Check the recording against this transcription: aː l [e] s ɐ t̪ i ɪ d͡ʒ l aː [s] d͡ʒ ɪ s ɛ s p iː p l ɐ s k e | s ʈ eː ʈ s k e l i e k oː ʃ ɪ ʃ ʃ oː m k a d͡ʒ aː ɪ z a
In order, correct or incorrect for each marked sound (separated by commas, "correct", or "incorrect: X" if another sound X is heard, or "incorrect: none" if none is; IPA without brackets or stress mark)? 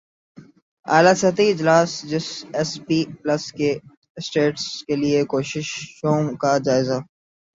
incorrect: a, correct